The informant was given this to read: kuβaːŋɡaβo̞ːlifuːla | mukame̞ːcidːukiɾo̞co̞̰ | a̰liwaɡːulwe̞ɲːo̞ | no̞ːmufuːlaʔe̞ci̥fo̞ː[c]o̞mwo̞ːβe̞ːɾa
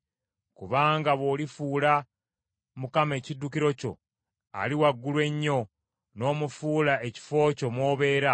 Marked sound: correct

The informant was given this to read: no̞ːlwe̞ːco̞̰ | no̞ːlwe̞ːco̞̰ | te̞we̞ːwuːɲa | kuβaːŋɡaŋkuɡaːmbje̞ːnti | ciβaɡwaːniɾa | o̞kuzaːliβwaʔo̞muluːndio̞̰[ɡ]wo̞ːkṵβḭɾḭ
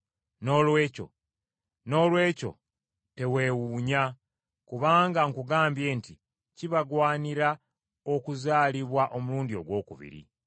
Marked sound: correct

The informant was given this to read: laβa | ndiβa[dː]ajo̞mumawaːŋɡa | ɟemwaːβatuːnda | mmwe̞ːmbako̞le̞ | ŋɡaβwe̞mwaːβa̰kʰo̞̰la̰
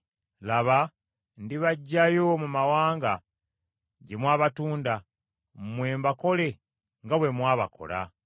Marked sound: incorrect: ɟː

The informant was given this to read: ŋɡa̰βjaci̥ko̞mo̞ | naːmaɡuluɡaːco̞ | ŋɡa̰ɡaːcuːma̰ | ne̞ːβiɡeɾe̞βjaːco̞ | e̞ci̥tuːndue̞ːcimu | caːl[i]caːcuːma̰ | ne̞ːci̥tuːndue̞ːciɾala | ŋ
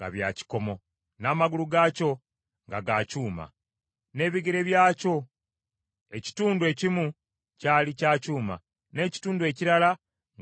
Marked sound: correct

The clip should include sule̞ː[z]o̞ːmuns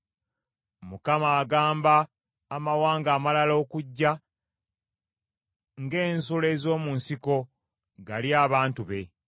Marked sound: correct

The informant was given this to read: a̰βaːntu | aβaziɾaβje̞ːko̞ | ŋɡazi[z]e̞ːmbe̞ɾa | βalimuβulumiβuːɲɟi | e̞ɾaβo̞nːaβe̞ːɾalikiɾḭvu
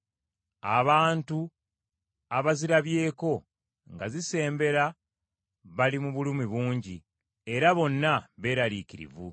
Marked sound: incorrect: s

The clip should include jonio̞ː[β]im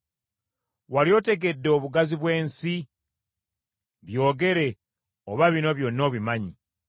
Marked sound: correct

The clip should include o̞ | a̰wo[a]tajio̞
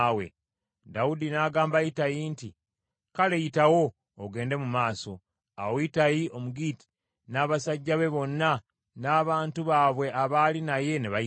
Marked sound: incorrect: i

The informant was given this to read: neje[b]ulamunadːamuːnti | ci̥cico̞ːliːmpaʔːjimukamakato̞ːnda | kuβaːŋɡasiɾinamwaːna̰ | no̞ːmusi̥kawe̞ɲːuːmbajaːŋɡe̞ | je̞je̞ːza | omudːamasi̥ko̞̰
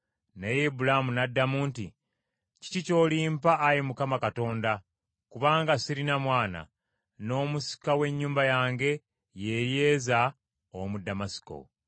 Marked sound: correct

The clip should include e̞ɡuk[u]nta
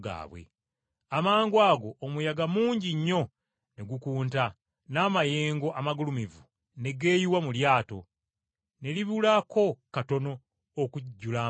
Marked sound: incorrect: uː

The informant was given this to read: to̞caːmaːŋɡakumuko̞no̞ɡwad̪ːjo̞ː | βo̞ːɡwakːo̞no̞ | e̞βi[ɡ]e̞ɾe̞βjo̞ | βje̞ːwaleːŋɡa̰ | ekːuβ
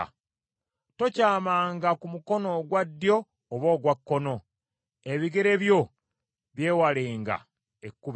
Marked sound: correct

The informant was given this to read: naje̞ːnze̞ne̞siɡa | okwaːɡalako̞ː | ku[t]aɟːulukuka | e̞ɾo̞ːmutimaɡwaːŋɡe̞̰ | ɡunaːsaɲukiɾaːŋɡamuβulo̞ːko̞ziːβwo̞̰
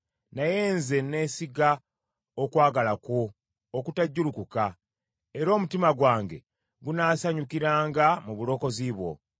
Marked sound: correct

